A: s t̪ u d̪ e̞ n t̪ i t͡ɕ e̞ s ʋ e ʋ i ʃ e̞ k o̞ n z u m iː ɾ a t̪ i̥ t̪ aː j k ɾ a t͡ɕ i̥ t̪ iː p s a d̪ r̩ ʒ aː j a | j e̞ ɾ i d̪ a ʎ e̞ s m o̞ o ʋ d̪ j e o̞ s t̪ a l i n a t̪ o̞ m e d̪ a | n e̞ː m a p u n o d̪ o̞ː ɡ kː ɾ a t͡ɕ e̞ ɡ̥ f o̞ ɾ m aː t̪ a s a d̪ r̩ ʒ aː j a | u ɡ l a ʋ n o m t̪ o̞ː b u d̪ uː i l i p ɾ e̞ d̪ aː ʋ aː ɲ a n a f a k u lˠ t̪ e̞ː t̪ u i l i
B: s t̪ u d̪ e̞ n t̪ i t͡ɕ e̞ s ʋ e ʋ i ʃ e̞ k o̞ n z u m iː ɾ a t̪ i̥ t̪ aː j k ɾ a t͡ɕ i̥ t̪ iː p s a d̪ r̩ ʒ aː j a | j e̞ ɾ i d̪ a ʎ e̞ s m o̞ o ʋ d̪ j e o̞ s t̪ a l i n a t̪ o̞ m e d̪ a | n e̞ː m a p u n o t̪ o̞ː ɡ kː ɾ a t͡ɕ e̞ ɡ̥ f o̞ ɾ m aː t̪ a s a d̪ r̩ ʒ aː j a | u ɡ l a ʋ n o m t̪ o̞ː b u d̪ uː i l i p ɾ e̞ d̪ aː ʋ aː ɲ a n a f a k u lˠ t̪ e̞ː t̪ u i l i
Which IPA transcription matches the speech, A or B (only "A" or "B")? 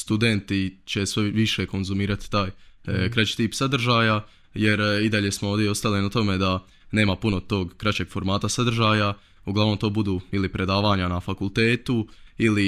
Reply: B